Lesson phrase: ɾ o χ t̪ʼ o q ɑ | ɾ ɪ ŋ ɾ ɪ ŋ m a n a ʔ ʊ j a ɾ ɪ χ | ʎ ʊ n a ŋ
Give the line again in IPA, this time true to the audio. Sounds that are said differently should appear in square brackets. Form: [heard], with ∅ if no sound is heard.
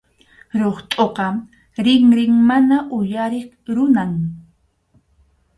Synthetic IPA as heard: ɾ o χ t̪ʼ o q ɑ | ɾ ɪ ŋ ɾ ɪ ŋ m a n a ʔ ʊ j a ɾ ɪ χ | [ɾ] ʊ n a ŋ